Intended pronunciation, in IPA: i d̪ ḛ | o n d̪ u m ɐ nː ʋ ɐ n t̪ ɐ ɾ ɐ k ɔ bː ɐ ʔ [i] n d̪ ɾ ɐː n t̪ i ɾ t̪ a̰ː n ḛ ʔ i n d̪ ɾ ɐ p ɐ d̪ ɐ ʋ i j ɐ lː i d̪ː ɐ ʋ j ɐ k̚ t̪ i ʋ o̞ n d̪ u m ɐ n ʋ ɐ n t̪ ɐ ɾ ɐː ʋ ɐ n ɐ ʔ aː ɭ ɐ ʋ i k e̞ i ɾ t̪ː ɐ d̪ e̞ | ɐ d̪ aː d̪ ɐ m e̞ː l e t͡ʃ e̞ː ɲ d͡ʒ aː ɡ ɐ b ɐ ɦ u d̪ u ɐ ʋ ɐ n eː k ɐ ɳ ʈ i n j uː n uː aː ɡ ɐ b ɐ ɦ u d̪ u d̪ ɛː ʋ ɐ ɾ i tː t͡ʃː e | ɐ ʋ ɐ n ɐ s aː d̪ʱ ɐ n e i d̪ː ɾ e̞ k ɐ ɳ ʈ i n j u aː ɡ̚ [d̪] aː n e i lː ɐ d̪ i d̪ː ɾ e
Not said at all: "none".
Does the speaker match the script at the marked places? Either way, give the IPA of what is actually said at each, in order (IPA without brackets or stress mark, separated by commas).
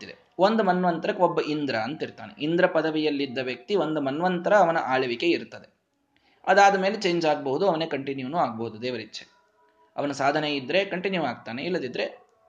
i, t̪